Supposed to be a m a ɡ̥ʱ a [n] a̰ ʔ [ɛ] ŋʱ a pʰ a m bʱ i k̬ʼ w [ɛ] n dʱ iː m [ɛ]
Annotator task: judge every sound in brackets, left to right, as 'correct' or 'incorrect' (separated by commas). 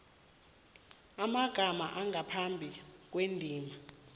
incorrect, incorrect, incorrect, incorrect